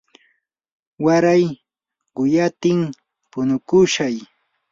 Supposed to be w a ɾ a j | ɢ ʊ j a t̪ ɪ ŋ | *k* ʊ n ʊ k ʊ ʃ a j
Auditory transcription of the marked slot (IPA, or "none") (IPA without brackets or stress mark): p